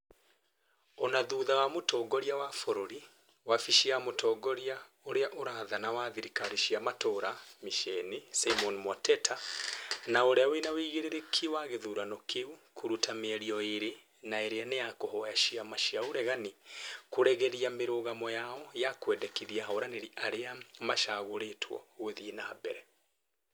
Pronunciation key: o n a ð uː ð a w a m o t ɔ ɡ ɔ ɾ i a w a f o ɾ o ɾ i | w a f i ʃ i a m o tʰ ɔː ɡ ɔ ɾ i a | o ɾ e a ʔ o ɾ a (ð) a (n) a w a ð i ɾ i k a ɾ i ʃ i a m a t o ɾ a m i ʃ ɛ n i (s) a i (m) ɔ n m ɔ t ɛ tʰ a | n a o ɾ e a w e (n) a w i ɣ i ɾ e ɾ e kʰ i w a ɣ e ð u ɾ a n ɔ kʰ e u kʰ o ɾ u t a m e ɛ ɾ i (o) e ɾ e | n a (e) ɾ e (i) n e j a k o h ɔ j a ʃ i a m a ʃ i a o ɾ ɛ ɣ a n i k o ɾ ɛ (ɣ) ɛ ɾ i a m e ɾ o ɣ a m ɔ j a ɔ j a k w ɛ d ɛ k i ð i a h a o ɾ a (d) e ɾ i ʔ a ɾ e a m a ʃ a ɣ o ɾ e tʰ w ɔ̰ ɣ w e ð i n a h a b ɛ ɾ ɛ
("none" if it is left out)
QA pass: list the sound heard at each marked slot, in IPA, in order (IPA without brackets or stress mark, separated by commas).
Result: ð, n, s, m, n, ɔ, e, a, ɣ, n